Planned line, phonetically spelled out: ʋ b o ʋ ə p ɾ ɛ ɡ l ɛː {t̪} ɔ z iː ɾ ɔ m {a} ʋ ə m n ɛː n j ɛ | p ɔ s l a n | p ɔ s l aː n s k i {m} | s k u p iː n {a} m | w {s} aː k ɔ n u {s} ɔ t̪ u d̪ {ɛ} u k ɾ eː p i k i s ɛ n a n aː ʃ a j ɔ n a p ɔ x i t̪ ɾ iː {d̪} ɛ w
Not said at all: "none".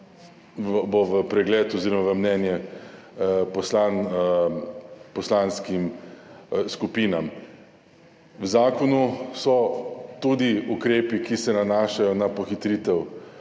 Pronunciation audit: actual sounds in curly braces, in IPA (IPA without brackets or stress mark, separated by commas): t̪, a, m, a, z, s, i, t̪